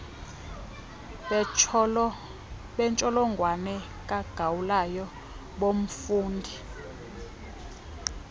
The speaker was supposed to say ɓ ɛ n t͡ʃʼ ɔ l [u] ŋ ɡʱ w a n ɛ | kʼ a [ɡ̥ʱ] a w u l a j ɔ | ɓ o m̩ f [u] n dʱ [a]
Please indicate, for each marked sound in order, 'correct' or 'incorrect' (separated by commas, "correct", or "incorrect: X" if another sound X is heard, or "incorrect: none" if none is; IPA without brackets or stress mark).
incorrect: ɔ, correct, incorrect: uː, incorrect: i